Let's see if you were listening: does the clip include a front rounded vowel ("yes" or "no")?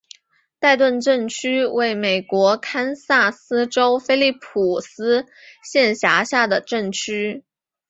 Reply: yes